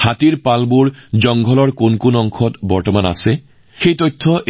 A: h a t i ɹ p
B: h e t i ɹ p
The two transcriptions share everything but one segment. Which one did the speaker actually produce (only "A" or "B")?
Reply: A